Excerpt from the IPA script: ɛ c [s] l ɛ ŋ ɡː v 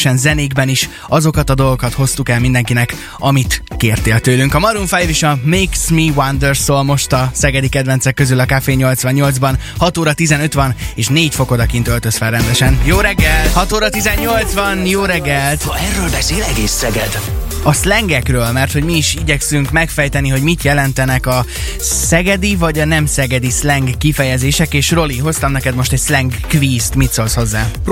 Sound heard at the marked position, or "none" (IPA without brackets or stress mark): s